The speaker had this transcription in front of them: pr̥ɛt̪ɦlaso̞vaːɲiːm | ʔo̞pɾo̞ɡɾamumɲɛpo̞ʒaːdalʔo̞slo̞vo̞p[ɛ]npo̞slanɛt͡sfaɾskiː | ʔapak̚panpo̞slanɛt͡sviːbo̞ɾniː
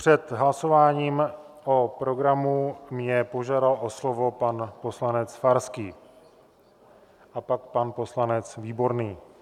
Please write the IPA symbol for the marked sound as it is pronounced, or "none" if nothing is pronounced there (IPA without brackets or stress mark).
a